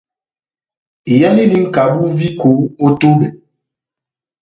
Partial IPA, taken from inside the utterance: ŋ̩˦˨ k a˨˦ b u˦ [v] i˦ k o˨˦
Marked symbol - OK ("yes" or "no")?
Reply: yes